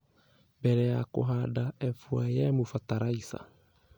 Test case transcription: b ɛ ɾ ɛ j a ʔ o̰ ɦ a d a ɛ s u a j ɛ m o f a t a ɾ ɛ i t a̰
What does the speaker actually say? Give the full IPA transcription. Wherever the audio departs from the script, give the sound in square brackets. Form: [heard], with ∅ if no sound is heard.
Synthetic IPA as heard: b ɛ ɾ ɛ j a [k] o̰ ɦ a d a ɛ [f] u a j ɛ m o f a t a ɾ [a] i [s] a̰